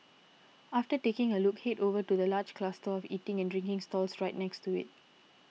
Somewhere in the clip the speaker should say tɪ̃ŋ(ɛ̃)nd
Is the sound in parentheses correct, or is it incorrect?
correct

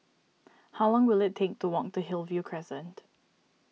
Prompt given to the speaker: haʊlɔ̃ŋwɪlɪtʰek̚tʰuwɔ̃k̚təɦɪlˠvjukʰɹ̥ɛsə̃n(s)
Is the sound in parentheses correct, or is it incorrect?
incorrect: t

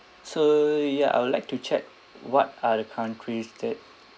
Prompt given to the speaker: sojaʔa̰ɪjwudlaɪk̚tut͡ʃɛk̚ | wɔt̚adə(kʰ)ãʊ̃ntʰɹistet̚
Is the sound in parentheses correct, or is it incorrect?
correct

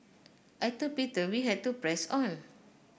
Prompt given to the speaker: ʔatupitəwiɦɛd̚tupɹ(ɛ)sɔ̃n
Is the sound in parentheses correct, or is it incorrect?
correct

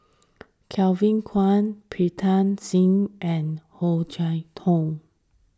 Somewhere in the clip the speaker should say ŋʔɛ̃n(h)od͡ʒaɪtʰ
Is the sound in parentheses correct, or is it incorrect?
correct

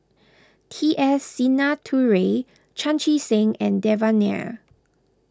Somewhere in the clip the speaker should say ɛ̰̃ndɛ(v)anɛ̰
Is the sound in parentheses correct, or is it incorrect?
correct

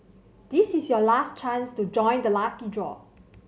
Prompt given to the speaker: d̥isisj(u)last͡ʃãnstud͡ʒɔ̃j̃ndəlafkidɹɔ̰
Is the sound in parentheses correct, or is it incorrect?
incorrect: ɔ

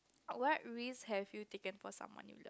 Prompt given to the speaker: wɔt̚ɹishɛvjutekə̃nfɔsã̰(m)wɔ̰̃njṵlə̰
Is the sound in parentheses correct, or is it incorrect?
correct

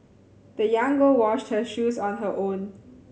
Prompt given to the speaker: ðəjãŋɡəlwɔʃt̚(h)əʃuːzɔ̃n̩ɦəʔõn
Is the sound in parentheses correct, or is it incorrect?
correct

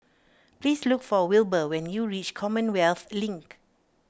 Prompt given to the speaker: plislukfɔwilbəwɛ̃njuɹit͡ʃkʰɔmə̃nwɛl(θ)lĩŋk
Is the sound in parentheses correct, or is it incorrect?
correct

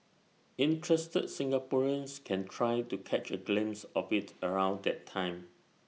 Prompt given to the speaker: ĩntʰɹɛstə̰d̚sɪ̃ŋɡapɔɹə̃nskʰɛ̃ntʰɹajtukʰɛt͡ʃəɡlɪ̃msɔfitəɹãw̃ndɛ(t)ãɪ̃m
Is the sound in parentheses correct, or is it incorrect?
incorrect: tʰ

